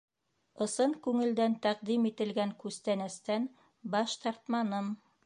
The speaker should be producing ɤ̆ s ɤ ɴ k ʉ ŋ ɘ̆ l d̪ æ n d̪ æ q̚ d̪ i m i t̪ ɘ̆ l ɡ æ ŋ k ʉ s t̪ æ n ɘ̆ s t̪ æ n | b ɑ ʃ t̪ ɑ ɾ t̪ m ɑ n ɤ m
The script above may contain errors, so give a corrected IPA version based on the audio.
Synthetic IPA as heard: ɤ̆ s ɤ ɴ k ʉ ŋ ɘ̆ l d̪ æ n t̪ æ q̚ d̪ i m i t̪ ɘ̆ l ɡ æ ŋ k ʉ s t̪ æ n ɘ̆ s t̪ æ n | b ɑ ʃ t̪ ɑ ɾ t̪ m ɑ n ɤ m